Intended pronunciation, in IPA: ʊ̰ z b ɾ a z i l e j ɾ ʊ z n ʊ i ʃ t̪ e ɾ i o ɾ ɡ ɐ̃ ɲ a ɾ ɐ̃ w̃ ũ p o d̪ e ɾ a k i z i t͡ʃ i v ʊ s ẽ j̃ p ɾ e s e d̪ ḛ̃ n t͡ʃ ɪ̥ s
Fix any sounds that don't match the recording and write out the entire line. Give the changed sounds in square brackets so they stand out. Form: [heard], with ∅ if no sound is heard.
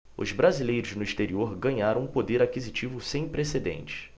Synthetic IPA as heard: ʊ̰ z b ɾ a z i l e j ɾ ʊ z n ʊ i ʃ t̪ e ɾ i o ɾ ɡ ɐ̃ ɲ a ɾ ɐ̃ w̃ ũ p o d̪ e ɾ a k i z i t͡ʃ i v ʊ s ẽ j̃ p ɾ e s e d̪ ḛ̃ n t͡ʃ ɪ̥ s

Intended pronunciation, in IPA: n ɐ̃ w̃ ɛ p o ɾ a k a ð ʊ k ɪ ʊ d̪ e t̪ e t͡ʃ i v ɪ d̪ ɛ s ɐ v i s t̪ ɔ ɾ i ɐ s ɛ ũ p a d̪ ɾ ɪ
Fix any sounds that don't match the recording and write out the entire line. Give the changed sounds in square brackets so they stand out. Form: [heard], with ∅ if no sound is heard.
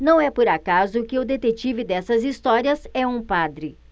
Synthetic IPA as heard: n ɐ̃ w̃ ɛ p o ɾ a k a [z] ʊ k ɪ ʊ d̪ e t̪ e t͡ʃ i v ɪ d̪ ɛ s ɐ [z] i s t̪ ɔ ɾ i ɐ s ɛ ũ p a d̪ ɾ ɪ

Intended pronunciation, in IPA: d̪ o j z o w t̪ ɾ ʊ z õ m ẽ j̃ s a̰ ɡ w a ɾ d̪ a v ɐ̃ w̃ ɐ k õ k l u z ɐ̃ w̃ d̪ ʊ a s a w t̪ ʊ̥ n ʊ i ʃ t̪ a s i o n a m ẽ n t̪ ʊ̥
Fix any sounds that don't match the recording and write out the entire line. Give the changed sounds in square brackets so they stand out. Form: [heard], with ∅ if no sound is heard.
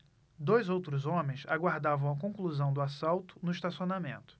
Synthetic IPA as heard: d̪ o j z o w t̪ ɾ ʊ z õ m ẽ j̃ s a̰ ɡ w a ɾ d̪ a v ɐ̃ w̃ ɐ k õ k l u z ɐ̃ w̃ d̪ ʊ a s a w t̪ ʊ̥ n ʊ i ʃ t̪ a s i o n a m ẽ n t̪ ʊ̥

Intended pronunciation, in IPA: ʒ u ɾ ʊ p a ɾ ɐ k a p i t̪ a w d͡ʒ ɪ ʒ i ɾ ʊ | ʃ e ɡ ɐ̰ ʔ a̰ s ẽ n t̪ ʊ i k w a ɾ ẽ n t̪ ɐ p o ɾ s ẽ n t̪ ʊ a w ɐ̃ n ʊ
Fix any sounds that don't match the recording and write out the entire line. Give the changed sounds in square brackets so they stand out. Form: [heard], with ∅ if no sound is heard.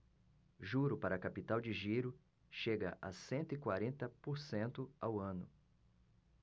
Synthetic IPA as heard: ʒ u ɾ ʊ p a ɾ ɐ k a p i t̪ a w d͡ʒ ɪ ʒ i ɾ ʊ | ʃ e ɡ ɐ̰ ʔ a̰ s ẽ n t̪ ʊ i k w a ɾ ẽ n t̪ ɐ p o ɾ s ẽ n t̪ ʊ a w ɐ̃ n ʊ

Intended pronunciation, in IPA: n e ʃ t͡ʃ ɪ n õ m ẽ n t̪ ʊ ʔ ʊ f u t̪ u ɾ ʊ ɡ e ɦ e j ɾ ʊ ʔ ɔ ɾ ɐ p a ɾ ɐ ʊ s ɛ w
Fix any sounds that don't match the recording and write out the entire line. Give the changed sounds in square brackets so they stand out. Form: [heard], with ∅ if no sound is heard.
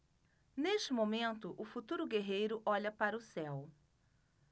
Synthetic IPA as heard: n e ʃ t͡ʃ ɪ [m] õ m ẽ n t̪ ʊ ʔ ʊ f u t̪ u ɾ ʊ ɡ e ɦ e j ɾ ʊ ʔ ɔ [ʎ] ɐ p a ɾ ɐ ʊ s ɛ w

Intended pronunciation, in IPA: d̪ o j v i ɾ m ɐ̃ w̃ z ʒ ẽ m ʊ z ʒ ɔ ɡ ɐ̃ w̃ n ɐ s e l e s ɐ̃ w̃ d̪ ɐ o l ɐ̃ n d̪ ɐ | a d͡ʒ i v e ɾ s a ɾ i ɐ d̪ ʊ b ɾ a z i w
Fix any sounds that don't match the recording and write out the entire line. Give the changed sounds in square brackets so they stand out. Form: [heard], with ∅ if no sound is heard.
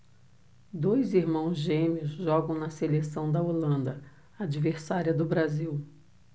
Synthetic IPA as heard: d̪ o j [z] i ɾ m ɐ̃ w̃ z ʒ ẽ m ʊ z ʒ ɔ ɡ ɐ̃ w̃ n ɐ s e l e s ɐ̃ w̃ d̪ ɐ o l ɐ̃ n d̪ ɐ | a d͡ʒ i v e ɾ s a ɾ i ɐ d̪ ʊ b ɾ a z i w

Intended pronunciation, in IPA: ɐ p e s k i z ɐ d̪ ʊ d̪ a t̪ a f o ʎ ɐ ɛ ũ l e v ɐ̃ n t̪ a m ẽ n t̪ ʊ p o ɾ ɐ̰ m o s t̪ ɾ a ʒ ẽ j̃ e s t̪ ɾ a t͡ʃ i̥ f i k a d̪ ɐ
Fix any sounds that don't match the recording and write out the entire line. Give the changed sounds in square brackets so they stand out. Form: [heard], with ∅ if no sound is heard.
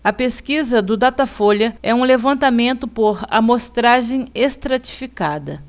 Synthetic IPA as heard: ɐ p e s k i z ɐ d̪ ʊ d̪ a t̪ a f o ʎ ɐ ɛ ũ l e v ɐ̃ n t̪ a m ẽ n t̪ ʊ p o ɾ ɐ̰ m o s t̪ ɾ a ʒ ẽ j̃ e s t̪ ɾ a t͡ʃ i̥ f i k a d̪ ɐ

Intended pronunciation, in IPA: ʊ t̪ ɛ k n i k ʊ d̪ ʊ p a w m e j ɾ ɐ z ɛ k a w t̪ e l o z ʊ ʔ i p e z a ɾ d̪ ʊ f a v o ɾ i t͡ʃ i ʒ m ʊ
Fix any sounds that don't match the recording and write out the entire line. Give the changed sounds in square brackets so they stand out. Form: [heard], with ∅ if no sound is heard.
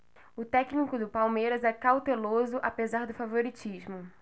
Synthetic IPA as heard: ʊ t̪ ɛ k n i k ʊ d̪ ʊ p a w m e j ɾ ɐ z ɛ k a w t̪ e l o z ʊ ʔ [a] p e z a ɾ d̪ ʊ f a v o ɾ i t͡ʃ i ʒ m ʊ

